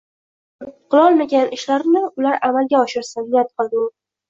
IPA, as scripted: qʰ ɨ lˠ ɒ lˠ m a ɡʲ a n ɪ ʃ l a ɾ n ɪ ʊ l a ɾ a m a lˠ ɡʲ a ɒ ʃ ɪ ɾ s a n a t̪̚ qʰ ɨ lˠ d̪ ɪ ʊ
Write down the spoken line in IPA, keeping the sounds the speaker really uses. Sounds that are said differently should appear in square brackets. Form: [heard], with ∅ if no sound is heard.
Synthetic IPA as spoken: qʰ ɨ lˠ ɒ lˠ m a ɡʲ a n ɪ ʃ l a ɾ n ɪ ʊ l a ɾ a m a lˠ ɡʲ a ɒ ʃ ɪ ɾ s a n a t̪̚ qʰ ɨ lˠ d̪ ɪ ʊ